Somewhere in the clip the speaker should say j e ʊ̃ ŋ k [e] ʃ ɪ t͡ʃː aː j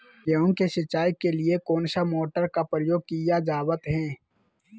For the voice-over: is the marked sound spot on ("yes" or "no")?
yes